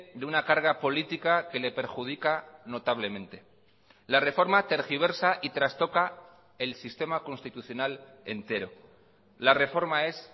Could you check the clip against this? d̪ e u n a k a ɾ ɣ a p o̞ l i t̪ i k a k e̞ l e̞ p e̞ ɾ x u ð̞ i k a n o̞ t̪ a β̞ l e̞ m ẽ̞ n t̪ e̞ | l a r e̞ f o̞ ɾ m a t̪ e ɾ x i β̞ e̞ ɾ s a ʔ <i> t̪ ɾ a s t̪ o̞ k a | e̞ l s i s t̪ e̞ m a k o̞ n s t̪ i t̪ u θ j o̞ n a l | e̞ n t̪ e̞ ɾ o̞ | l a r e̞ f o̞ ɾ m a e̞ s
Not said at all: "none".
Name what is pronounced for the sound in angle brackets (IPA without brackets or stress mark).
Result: i